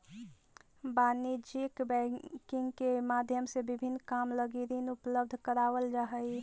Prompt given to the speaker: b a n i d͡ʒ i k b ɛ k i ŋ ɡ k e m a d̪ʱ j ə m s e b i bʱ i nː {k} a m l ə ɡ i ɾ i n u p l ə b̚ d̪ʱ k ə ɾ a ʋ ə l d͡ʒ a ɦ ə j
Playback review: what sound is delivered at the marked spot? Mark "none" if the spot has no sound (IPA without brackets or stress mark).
k